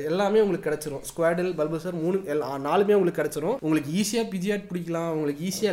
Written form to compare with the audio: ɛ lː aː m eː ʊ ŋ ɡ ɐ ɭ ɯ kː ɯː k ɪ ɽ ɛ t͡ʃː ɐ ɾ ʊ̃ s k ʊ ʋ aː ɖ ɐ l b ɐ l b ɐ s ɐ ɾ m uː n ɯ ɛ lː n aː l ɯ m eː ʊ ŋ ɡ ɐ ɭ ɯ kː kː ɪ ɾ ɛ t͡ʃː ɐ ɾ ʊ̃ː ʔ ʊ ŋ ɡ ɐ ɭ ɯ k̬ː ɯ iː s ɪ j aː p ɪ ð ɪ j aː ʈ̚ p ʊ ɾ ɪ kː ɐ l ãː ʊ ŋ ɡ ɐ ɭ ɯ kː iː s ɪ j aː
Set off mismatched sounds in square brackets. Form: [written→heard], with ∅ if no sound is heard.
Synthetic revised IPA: ɛ lː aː m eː ʊ ŋ ɡ ɐ ɭ ɯ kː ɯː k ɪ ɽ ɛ t͡ʃː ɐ ɾ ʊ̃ s k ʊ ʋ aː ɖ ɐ l b ɐ l b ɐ s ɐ ɾ m uː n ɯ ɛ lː n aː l ɯ m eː ʊ ŋ ɡ ɐ ɭ ɯ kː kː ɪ [ɾ→ɽ] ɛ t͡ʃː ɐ ɾ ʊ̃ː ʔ ʊ ŋ ɡ ɐ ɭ ɯ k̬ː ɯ iː s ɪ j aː p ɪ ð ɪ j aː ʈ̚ p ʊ [ɾ→ɽ] ɪ kː ɐ l ãː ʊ ŋ ɡ ɐ ɭ ɯ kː iː s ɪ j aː